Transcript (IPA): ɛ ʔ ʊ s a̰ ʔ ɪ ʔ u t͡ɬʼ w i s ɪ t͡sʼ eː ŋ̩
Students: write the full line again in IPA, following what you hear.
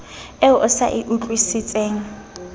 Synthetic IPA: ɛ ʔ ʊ s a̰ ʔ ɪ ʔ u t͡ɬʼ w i s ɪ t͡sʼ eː ŋ̩